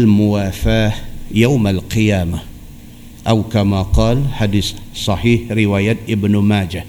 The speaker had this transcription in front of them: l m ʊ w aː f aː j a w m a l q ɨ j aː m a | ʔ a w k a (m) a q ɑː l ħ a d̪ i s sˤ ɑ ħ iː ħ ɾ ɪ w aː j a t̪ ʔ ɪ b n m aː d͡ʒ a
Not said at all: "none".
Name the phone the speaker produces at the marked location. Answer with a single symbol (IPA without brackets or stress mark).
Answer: m